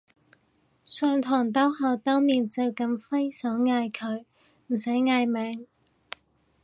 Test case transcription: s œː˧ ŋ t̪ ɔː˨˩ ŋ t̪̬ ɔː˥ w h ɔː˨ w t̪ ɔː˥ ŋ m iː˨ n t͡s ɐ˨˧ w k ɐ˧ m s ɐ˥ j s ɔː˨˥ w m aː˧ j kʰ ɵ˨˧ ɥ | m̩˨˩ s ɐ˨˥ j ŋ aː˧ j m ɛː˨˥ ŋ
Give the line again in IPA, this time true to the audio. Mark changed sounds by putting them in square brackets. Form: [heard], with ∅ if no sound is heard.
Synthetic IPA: s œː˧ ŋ [t̪ʰ] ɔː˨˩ ŋ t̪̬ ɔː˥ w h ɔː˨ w t̪ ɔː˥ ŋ m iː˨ n t͡s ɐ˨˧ w k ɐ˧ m [f] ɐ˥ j s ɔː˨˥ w [ŋ] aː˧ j kʰ ɵ˨˧ ɥ | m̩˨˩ s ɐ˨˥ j ŋ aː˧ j m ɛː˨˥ ŋ